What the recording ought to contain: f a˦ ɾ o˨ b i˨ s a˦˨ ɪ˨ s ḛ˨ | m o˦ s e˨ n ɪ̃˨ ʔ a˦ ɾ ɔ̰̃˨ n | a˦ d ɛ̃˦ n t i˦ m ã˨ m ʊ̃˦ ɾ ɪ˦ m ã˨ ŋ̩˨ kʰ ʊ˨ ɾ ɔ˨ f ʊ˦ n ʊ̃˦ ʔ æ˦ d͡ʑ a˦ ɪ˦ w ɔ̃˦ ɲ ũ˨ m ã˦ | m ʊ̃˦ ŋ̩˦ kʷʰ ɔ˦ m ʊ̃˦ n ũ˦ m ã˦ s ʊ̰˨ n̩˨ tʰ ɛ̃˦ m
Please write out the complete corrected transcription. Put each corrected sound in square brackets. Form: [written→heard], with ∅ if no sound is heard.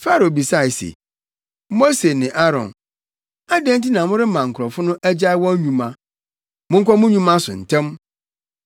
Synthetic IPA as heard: f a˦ ɾ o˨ b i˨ s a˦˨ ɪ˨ s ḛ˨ | m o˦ s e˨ n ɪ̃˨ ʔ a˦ ɾ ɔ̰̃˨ n | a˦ d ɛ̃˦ n t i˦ [m→n] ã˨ m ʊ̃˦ ɾ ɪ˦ m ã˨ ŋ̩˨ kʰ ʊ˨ ɾ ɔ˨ f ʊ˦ n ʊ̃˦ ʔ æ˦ d͡ʑ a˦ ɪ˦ w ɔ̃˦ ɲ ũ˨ m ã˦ | m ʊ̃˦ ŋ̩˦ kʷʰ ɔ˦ m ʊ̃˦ [n→ɲ] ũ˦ m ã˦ s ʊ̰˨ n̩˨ tʰ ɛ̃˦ m